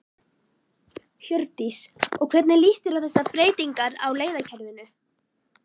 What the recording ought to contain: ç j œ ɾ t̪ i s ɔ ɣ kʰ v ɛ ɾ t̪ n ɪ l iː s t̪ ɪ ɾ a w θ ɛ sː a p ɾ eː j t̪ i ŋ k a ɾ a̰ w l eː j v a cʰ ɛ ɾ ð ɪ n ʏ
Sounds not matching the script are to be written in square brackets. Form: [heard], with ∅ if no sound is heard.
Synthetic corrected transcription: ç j œ ɾ t̪ i s ɔ ɣ kʰ v ɛ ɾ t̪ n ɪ l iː s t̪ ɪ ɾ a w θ ɛ sː a p ɾ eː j t̪ i ŋ k a ɾ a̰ w l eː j [ð] a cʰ ɛ ɾ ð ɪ n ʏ